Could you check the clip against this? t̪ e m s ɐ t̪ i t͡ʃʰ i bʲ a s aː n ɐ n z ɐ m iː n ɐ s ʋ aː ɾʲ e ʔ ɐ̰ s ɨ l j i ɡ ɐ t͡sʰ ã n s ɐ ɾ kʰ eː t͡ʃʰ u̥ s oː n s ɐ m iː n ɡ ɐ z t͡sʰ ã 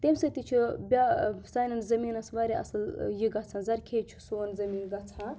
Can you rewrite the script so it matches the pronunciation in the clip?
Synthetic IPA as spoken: t̪ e m s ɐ t̪ i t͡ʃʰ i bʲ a s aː n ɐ n z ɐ m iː n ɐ s ʋ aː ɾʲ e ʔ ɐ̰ s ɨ l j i ɡ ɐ t͡sʰ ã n z ɐ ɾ kʰ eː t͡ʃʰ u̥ s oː n z ɐ m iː n ɡ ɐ t͡sʰ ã